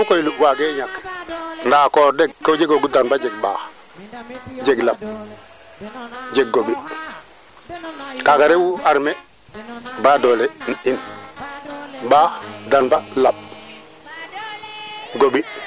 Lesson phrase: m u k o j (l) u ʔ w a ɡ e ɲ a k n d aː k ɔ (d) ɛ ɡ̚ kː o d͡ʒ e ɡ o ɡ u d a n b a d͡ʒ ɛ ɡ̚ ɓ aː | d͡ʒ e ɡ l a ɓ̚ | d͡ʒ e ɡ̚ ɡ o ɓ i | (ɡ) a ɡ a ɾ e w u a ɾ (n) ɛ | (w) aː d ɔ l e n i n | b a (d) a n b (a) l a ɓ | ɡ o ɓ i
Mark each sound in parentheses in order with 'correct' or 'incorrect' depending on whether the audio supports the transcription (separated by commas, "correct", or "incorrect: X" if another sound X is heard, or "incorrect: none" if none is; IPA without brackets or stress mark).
correct, correct, incorrect: k, incorrect: m, incorrect: b, correct, correct